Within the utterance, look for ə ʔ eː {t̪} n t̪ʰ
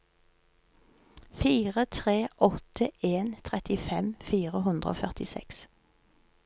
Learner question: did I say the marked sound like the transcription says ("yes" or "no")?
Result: no